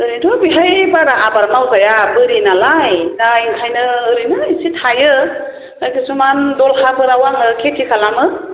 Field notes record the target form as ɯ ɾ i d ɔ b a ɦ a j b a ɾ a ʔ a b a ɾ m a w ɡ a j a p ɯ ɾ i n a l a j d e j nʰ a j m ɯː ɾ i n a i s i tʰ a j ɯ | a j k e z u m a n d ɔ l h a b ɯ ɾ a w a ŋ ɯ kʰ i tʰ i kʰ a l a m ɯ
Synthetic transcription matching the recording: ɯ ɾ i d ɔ b i ɦ a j b a ɾ a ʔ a b a ɾ m a w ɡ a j a b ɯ ɾ i n a l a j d a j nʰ a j n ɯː ɾ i n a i s i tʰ a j ɯ | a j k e s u m a n d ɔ l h a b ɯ ɾ a w a ŋ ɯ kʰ e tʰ i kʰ a l a m ɯ